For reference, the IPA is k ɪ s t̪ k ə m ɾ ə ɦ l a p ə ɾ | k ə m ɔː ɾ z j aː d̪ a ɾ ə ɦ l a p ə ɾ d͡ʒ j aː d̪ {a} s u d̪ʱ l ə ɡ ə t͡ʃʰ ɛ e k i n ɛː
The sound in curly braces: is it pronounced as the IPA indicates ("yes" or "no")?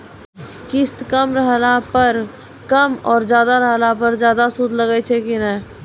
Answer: yes